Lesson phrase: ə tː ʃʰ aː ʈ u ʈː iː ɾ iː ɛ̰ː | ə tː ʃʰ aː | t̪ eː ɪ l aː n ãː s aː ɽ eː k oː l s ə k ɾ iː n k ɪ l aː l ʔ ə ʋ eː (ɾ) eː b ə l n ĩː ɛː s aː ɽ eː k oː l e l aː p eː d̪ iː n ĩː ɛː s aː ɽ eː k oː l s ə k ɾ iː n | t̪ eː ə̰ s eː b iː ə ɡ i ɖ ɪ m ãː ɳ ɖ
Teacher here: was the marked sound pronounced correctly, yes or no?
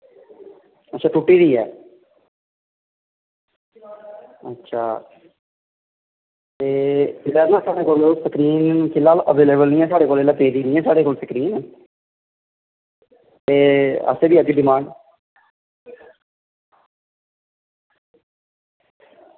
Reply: no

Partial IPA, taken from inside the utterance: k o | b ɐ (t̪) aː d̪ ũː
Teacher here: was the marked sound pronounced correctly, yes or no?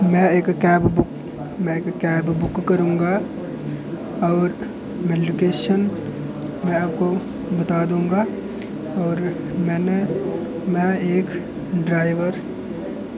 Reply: yes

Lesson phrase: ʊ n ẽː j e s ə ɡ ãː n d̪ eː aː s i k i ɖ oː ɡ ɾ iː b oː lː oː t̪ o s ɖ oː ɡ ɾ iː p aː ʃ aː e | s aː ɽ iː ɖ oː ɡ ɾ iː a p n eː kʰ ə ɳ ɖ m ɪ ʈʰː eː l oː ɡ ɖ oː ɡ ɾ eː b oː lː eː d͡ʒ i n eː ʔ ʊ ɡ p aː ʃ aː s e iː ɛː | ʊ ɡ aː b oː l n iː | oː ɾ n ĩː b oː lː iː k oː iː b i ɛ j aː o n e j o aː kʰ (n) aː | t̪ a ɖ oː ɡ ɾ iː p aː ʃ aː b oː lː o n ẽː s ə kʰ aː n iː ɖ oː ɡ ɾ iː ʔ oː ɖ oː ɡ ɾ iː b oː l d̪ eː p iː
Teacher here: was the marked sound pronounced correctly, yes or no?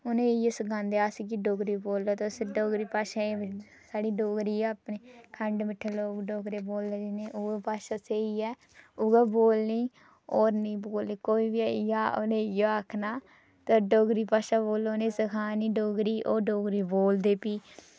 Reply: yes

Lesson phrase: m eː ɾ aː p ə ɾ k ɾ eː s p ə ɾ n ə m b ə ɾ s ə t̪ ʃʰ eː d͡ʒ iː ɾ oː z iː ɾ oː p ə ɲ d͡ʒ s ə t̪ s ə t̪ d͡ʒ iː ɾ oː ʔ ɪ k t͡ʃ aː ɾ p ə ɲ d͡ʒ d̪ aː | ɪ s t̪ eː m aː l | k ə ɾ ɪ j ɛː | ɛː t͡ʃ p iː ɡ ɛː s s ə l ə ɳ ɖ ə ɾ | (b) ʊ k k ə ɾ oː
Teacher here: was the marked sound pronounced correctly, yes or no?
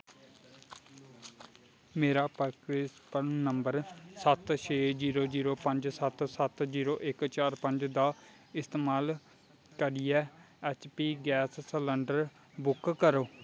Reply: yes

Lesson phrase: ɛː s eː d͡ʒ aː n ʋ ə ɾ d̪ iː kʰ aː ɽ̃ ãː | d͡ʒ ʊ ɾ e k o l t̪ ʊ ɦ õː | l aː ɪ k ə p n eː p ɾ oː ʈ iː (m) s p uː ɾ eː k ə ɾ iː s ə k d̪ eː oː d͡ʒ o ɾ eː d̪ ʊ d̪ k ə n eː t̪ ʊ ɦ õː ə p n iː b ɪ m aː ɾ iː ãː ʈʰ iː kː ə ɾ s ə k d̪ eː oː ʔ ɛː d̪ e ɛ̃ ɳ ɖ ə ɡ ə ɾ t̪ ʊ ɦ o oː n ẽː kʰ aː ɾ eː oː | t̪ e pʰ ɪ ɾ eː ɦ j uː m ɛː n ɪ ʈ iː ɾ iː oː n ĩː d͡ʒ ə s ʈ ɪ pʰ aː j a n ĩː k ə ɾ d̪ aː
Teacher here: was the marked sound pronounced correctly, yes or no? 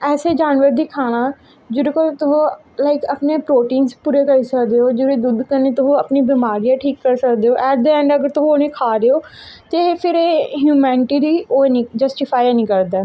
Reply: no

